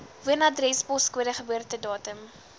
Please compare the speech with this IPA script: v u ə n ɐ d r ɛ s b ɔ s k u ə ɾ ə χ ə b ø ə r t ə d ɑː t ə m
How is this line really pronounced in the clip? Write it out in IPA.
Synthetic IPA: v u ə n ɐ d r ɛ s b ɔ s k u ə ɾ ə χ ə b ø ə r t ə d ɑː t ə m